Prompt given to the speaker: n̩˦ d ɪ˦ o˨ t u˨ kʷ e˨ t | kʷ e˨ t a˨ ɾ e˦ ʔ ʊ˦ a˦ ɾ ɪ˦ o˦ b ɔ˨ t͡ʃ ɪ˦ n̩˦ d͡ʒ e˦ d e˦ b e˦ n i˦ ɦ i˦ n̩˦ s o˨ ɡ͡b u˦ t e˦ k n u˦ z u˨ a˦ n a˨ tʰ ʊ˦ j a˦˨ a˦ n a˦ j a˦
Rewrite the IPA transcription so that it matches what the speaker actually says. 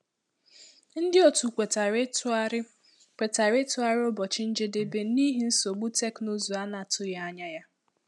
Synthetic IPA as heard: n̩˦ d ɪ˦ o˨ t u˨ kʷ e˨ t | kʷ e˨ t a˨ ɾ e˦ t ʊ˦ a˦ ɾ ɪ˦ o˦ b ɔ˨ t͡ʃ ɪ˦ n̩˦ d͡ʒ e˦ d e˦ b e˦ n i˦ ɦ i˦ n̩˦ s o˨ ɡ͡b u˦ t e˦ k n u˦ z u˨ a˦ n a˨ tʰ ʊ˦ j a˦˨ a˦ ɲ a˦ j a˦

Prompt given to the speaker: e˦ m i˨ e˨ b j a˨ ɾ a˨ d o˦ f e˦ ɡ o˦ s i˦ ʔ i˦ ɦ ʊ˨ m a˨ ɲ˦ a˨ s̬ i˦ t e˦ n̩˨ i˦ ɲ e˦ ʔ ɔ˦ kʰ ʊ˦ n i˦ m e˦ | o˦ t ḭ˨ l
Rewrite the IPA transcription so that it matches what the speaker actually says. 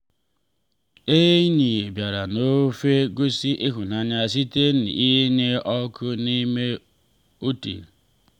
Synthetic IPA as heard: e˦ ɲ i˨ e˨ b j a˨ ɾ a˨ n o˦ f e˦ ɡ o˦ s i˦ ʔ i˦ ɦ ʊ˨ n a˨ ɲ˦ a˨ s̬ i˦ t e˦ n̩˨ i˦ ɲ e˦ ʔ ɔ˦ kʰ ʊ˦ n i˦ m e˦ | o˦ t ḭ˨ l

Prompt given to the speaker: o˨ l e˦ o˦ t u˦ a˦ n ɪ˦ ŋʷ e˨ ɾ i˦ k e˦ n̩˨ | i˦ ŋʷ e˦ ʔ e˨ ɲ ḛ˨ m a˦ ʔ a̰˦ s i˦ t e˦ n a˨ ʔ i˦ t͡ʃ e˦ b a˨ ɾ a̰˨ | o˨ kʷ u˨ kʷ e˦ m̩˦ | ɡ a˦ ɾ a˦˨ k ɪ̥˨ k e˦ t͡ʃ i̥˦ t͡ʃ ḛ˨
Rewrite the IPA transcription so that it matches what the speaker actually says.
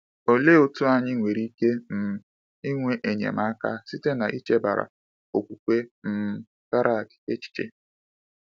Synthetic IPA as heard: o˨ l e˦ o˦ t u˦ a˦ ɲ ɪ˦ ŋʷ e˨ ɾ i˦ k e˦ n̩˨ | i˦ ŋʷ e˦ ʔ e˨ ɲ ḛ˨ m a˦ k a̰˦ s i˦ t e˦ n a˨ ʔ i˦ t͡ʃ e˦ b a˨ ɾ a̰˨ | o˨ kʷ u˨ kʷ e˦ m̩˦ | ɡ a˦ ɾ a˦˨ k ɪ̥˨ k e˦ t͡ʃ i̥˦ t͡ʃ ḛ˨

